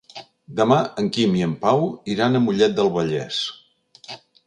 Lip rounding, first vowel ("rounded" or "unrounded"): unrounded